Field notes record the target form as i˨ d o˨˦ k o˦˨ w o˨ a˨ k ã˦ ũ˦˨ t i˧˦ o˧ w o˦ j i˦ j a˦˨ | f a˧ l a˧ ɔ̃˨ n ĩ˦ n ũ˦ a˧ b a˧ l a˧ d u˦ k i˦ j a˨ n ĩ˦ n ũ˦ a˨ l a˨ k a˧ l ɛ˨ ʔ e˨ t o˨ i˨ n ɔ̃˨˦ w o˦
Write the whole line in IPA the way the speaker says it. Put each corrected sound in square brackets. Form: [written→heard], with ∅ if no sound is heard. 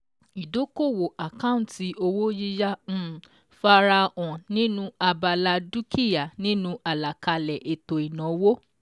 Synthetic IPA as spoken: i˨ d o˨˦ k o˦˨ w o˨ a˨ k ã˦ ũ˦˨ t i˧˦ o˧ w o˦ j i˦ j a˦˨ | f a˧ [l→ɾ] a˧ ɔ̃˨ n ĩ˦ n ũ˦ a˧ b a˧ l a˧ d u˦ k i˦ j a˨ n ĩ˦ n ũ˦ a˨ l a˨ k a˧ l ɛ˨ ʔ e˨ t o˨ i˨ n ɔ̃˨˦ w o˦